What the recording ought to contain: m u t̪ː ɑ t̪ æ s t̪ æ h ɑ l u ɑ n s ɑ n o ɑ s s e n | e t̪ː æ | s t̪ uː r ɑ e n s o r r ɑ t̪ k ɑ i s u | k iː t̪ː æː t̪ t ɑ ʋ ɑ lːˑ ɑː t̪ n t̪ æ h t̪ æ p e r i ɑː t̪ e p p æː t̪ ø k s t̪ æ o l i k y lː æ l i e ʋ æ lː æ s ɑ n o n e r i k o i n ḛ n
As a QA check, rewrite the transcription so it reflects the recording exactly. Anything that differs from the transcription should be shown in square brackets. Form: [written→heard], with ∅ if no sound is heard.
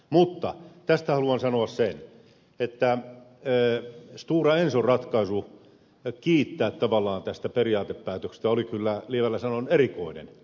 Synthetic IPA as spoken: m u t̪ː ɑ t̪ æ s t̪ æ h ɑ l u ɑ n s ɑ n o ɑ s s e n | e t̪ː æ | s t̪ uː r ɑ e n s o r r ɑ t̪ k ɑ i s u | k iː t̪ː æː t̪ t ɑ ʋ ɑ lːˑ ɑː [t̪→∅] n t̪ æ [h→s] t̪ æ p e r i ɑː t̪ e p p æː t̪ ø k s t̪ æ o l i k y lː æ l i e ʋ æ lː æ s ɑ n o n e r i k o i n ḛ n